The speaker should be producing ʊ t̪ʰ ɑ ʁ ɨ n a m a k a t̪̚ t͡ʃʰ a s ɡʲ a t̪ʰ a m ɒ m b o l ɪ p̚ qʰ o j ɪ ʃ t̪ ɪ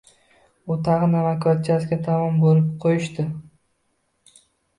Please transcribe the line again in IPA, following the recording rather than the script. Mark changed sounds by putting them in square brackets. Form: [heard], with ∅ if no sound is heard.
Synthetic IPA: ʊ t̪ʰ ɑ ʁ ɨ n a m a k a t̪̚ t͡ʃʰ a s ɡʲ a t̪ʰ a m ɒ m b o l ɪ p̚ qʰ o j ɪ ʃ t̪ ɪ